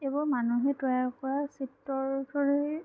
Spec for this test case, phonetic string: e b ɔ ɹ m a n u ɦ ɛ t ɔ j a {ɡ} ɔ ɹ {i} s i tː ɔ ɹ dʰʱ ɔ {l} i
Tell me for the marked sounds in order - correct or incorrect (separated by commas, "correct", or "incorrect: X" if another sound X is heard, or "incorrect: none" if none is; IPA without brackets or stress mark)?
incorrect: k, incorrect: a, incorrect: ɹ